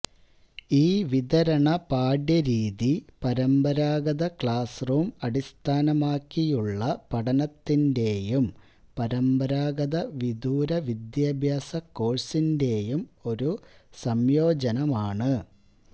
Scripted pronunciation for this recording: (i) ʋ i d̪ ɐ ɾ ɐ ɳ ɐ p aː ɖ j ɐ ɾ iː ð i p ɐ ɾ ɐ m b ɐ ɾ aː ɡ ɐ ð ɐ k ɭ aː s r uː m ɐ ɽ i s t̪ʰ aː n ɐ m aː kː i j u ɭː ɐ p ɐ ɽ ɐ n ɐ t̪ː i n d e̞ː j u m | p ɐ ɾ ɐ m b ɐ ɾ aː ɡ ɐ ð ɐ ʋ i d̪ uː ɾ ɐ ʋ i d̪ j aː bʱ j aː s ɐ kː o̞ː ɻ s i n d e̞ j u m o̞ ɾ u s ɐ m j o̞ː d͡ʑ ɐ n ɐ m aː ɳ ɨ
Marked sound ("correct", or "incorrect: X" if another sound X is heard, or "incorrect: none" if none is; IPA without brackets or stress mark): incorrect: iː